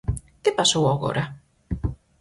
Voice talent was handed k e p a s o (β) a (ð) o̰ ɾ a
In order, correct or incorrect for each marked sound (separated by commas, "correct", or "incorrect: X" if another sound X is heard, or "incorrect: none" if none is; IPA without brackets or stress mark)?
incorrect: w, incorrect: ɣ